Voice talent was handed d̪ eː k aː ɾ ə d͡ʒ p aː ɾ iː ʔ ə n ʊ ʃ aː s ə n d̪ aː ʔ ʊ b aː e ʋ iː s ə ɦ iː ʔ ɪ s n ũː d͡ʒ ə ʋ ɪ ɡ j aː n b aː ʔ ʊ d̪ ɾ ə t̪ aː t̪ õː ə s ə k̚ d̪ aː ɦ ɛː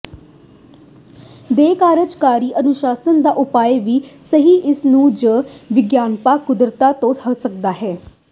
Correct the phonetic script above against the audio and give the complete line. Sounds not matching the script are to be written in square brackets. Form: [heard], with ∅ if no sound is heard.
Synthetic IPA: d̪ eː k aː ɾ ə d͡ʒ [k] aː ɾ iː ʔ ə n ʊ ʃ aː s ə n d̪ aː ʔ ʊ [p] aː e ʋ iː s ə ɦ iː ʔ ɪ s n ũː d͡ʒ ə ʋ ɪ ɡ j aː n [p] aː [k] ʊ d̪ ɾ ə t̪ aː t̪ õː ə s ə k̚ d̪ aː ɦ ɛː